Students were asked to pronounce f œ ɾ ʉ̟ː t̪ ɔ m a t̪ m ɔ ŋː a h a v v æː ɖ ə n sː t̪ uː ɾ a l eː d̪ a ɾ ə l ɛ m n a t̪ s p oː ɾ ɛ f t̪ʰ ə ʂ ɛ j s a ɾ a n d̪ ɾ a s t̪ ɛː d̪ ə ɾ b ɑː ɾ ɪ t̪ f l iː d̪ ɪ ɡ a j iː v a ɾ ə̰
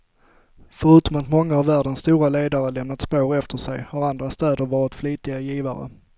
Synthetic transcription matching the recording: f œ ɾ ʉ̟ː t̪ ɔ m a t̪ m ɔ ŋː a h a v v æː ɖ ə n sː t̪ uː ɾ a l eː d̪ a ɾ ə l ɛ m n a t̪ s p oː ɾ ɛ f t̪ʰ ə ʂ ɛ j h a ɾ a n d̪ ɾ a s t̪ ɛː d̪ ə ɾ v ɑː ɾ ɪ t̪ f l iː t̪ ɪ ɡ a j iː v a ɾ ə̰